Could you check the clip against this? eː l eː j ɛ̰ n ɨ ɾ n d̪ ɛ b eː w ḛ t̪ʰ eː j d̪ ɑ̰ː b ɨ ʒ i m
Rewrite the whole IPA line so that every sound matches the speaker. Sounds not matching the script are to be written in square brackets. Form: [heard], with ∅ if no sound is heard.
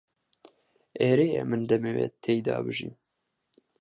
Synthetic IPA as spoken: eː [ɾ] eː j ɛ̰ [m] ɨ [∅] n d̪ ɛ [m] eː w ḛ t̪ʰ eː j d̪ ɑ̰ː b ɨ ʒ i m